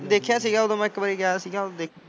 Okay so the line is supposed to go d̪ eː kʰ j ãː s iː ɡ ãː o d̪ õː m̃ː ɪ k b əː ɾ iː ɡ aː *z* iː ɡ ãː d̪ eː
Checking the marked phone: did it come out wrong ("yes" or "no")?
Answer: yes